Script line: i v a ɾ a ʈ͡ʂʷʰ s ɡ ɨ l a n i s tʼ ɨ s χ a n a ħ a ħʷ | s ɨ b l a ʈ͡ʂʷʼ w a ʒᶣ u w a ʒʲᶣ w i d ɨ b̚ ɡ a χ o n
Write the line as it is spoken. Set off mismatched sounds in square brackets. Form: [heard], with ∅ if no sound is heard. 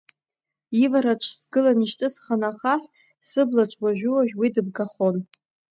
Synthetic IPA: i v a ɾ a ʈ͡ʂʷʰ s ɡ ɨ l a n i [ʃ] tʼ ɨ s χ a n a [χ] a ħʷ | s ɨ b l a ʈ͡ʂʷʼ w a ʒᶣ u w a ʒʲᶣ w i d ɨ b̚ ɡ a χ o n